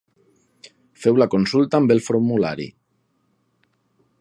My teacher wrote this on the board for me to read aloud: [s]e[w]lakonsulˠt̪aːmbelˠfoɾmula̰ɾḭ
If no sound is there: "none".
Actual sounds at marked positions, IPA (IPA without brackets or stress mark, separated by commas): f, w